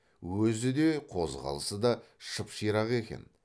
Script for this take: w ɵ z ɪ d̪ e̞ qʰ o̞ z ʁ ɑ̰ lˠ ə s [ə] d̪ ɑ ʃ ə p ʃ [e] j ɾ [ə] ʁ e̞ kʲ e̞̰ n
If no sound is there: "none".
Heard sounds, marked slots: ə, i, ɑ

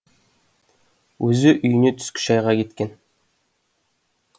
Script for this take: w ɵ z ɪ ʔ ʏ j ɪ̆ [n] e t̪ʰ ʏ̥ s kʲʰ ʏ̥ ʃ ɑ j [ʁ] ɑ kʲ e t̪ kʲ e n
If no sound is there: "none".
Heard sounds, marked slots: n, ʁ

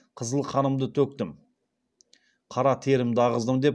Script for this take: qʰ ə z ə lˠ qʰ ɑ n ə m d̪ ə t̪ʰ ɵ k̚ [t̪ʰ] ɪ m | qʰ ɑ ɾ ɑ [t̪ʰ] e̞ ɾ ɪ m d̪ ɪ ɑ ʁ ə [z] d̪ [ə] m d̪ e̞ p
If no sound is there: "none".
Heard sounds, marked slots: t̪, t̪ʰ, z, ə

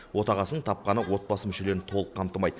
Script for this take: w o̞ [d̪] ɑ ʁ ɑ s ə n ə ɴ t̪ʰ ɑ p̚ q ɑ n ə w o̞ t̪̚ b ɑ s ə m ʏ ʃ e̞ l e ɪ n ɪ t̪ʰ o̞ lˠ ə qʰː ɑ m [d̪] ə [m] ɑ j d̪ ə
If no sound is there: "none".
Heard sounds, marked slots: t̪, t̪, m

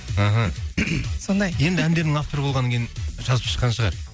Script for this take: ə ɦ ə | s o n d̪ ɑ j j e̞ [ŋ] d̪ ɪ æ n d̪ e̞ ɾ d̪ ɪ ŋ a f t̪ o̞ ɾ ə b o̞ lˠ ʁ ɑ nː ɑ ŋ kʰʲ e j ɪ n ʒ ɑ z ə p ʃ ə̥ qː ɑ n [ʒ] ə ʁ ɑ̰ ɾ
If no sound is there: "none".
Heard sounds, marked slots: n, ʃ

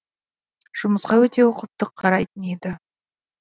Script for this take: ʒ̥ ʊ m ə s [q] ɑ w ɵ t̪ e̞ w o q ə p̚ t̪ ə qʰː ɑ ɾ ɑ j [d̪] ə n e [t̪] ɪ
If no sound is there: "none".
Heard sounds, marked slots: q, t̪, d̪

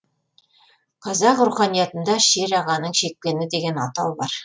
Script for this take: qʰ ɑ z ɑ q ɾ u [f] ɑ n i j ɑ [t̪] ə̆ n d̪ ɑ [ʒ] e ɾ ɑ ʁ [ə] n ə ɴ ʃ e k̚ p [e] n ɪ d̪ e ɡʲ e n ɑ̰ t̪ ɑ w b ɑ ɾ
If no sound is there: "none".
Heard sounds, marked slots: χ, t̪, ʃ, ɑ, e

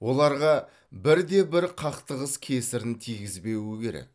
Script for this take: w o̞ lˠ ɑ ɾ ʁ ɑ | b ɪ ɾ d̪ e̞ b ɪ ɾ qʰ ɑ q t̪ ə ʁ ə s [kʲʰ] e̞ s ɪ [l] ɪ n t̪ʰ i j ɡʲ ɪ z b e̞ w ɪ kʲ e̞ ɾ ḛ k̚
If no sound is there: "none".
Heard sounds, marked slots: kʲʰ, ɾ

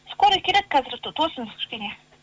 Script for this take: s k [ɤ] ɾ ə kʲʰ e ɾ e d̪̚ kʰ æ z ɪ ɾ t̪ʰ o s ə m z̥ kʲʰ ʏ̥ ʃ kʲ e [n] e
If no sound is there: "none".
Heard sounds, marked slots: o, n

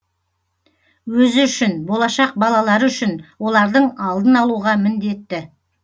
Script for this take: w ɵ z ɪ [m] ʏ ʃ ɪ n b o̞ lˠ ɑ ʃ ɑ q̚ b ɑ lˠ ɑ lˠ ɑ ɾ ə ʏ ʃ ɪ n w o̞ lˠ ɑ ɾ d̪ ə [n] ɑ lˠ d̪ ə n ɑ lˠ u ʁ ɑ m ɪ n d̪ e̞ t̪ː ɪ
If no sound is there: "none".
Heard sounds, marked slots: none, ɴ

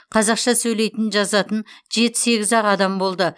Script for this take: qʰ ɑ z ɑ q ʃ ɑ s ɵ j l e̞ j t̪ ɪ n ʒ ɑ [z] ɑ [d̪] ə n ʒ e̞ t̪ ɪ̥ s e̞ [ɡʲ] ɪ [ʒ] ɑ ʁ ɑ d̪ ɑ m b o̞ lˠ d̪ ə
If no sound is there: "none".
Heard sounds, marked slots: z, t̪, ɡʲ, z

